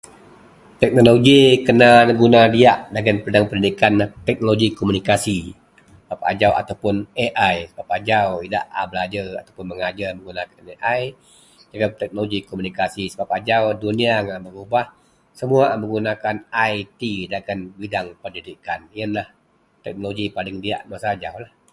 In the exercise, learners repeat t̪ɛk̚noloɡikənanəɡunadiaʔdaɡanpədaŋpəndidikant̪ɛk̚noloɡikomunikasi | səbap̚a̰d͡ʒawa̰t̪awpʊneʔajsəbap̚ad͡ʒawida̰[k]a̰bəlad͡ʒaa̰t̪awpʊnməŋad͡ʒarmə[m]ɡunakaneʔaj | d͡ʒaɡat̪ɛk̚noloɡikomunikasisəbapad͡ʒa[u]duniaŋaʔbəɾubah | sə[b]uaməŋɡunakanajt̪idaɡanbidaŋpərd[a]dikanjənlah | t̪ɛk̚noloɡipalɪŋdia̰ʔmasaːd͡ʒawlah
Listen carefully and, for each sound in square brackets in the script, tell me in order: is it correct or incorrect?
incorrect, incorrect, incorrect, incorrect, incorrect

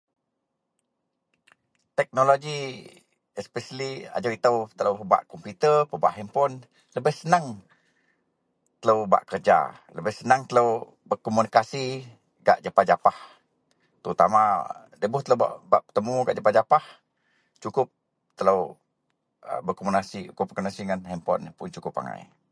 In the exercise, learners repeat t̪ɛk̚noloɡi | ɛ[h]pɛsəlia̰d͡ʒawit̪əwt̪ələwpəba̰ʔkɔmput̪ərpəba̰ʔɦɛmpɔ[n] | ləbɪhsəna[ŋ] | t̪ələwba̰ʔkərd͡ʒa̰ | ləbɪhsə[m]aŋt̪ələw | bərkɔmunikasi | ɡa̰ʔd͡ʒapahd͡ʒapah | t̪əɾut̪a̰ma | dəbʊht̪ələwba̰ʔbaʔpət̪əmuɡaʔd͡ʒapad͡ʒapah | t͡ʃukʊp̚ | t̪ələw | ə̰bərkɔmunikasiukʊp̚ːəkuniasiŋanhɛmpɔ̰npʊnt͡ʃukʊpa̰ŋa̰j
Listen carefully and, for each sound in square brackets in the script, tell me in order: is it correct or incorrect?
incorrect, correct, correct, incorrect

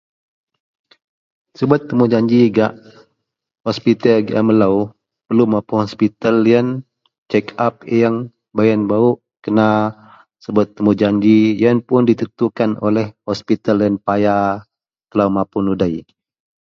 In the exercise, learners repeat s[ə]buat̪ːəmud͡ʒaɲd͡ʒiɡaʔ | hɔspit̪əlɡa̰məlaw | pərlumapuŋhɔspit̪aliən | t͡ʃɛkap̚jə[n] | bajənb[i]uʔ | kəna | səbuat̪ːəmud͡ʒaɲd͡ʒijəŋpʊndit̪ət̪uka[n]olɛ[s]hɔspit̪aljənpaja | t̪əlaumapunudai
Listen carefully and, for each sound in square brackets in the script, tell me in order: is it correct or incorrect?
correct, incorrect, incorrect, correct, incorrect

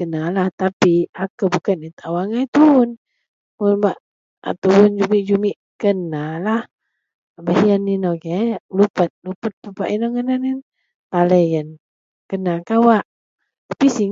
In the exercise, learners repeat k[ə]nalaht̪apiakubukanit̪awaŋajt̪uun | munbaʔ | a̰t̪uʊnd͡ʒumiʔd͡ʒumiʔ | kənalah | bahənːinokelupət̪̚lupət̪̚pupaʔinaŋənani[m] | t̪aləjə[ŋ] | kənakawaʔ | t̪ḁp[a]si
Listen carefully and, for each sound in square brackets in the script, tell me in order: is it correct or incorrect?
correct, incorrect, incorrect, incorrect

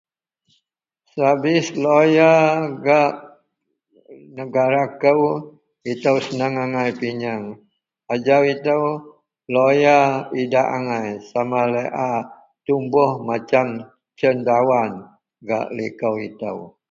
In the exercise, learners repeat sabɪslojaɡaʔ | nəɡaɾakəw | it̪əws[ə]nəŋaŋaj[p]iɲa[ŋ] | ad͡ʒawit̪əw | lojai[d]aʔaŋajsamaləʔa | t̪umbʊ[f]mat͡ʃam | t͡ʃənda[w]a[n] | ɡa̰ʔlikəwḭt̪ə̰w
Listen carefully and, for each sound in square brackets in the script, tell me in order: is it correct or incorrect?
correct, correct, correct, correct, incorrect, correct, correct

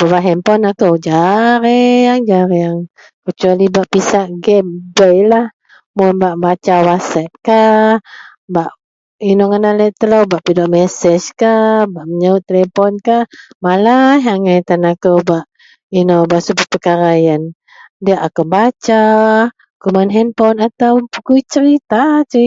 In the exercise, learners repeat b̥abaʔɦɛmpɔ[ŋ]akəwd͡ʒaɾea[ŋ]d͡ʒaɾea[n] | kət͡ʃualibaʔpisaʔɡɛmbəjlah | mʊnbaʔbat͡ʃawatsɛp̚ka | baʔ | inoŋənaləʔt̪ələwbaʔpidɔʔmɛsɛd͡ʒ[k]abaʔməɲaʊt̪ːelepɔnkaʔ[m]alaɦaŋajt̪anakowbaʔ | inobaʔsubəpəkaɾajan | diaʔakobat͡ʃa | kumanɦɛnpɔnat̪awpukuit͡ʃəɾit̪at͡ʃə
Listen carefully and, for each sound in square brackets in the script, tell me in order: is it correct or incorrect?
incorrect, correct, incorrect, correct, correct

